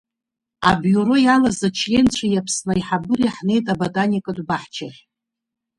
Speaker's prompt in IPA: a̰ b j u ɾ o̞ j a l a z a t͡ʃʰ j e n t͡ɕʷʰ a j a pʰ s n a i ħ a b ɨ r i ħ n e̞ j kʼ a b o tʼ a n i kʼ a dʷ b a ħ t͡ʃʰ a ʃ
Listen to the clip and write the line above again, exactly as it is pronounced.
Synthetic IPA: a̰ b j u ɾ o̞ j a l a z a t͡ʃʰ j e n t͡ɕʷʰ a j a pʰ s n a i ħ a b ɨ r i ħ n e̞ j tʼ a b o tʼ a n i kʼ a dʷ b a ħ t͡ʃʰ a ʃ